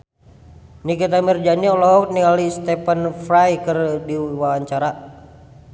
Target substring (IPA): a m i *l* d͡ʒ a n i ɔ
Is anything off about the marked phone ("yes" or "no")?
yes